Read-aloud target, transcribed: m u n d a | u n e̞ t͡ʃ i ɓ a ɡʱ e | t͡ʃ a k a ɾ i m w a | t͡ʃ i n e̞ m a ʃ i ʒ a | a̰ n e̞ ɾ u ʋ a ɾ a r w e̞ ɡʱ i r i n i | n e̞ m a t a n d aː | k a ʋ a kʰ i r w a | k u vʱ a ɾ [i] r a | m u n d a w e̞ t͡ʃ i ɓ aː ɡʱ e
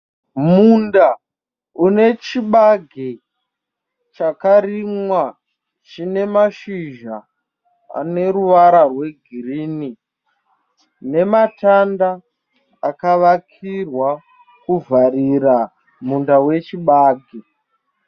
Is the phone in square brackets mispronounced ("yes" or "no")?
no